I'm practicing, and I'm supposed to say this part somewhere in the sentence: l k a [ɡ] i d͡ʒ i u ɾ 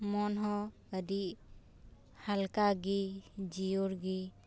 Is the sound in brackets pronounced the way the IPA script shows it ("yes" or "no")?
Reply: yes